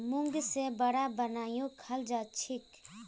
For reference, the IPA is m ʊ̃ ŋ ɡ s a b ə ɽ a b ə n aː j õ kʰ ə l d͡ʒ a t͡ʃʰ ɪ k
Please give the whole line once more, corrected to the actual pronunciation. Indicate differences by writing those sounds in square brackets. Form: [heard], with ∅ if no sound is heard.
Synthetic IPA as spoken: m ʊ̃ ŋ ɡ s [e] b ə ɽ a b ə n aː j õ kʰ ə l d͡ʒ a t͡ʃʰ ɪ k